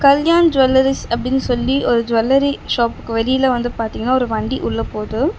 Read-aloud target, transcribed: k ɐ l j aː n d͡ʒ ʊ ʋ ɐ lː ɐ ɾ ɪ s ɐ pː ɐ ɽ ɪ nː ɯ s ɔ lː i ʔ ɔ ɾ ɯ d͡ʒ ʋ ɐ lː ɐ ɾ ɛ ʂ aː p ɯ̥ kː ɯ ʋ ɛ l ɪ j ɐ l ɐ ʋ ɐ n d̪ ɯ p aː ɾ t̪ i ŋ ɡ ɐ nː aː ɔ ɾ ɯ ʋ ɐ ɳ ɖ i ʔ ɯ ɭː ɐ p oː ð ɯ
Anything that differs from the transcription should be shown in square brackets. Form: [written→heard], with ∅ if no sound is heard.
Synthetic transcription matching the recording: k ɐ l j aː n d͡ʒ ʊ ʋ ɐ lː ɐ ɾ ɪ s ɐ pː ɐ ɽ ɪ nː ɯ s ɔ lː i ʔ ɔ ɾ ɯ d͡ʒ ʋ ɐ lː ɐ ɾ [ɛ→i] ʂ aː p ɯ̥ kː ɯ ʋ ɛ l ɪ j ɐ l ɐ ʋ ɐ n d̪ ɯ p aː ɾ t̪ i ŋ ɡ ɐ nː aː ɔ ɾ ɯ ʋ ɐ ɳ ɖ i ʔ [ɯ→ʊ] ɭː ɐ p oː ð ɯ